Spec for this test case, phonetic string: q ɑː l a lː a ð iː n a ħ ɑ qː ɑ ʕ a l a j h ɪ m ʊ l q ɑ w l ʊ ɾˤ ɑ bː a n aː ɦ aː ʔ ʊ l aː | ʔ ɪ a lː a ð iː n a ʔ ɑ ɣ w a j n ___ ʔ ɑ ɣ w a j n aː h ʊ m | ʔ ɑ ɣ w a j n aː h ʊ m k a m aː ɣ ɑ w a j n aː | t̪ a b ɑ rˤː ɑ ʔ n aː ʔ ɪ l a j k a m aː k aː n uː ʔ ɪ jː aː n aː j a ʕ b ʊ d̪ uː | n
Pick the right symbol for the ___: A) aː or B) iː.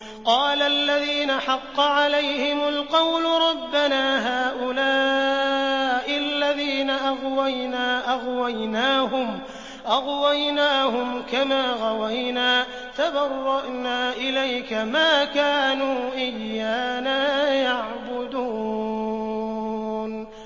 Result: A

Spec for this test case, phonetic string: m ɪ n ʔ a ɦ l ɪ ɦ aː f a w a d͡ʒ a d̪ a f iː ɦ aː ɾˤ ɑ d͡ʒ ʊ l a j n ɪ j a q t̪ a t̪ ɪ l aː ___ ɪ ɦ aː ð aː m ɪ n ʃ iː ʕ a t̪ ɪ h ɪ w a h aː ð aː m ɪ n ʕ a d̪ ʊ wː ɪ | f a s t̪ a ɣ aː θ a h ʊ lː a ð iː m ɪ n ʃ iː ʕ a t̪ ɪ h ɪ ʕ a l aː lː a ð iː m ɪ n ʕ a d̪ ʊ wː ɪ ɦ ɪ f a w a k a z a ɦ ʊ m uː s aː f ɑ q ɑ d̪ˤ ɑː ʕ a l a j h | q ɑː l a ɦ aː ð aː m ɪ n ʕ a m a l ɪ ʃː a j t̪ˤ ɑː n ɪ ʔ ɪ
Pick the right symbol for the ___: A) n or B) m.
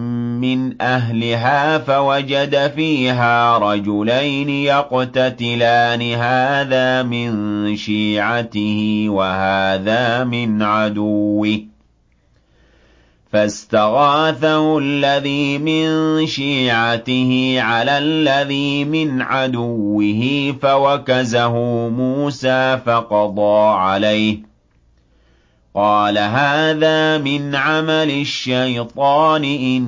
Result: A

